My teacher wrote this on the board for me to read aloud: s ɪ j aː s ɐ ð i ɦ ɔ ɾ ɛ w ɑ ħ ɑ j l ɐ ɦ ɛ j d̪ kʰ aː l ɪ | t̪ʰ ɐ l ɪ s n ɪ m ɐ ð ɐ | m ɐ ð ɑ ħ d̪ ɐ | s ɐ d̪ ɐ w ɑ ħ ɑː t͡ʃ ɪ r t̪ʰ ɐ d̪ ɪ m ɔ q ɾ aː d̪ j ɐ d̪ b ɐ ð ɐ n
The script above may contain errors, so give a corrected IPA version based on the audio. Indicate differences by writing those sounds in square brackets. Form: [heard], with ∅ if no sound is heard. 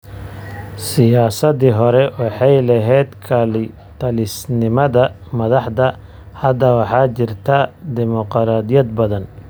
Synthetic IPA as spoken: s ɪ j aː s ɐ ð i ɦ ɔ ɾ ɛ w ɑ ħ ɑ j l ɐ ɦ ɛ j d̪ kʰ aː l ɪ | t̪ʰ ɐ l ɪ s n ɪ m ɐ ð ɐ | m ɐ ð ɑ ħ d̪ ɐ | [h] ɐ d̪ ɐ w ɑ ħ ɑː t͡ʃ ɪ r t̪ʰ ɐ d̪ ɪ m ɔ q ɾ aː d̪ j ɐ d̪ b ɐ ð ɐ n